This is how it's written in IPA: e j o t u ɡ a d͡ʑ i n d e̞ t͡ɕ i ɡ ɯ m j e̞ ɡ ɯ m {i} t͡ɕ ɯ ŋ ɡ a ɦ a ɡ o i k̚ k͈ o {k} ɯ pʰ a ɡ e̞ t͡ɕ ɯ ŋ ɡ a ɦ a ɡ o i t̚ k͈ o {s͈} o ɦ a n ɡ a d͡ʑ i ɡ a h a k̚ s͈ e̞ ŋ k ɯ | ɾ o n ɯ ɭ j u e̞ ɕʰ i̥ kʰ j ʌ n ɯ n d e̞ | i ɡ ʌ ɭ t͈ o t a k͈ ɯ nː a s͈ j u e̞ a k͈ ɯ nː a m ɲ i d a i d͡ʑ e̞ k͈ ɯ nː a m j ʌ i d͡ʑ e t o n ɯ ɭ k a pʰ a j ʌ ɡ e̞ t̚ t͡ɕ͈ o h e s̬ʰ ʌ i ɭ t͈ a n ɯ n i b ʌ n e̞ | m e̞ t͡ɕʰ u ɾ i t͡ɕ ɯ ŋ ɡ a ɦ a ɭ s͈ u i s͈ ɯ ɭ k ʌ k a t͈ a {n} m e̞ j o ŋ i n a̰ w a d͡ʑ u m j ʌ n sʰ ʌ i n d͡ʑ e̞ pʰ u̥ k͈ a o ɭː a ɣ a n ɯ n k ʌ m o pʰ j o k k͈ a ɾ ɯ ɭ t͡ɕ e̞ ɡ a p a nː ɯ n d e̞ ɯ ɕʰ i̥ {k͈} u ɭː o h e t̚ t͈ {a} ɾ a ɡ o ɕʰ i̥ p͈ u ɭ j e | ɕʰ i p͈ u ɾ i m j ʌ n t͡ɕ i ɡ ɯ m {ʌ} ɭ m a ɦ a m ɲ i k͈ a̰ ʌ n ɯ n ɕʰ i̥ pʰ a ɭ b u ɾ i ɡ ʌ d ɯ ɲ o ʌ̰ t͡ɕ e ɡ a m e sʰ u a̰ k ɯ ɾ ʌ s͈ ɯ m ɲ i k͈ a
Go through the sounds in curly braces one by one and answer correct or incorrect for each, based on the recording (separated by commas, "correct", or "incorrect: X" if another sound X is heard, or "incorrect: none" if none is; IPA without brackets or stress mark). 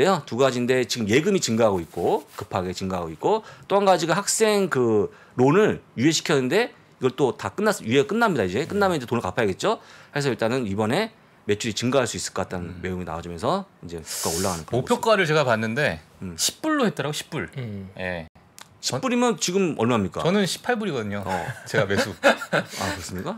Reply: correct, correct, incorrect: t͈, correct, incorrect: p͈, incorrect: ʌ, correct